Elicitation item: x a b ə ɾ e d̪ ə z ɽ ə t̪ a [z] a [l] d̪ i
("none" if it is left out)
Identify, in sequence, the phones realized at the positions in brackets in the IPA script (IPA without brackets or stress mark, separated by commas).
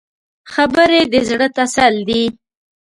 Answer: s, l